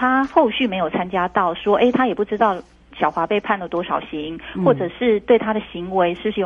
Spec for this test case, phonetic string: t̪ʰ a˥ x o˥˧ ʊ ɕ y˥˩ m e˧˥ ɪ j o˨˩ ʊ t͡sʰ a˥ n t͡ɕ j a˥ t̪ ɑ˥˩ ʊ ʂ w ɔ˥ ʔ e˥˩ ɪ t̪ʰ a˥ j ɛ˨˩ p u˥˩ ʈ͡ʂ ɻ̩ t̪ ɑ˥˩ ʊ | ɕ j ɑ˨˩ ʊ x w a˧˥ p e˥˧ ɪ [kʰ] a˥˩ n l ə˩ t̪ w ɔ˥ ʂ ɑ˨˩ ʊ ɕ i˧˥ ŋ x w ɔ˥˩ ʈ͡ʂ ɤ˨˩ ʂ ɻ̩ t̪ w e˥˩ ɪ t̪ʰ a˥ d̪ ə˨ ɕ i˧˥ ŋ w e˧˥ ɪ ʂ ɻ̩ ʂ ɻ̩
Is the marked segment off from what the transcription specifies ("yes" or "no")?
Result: yes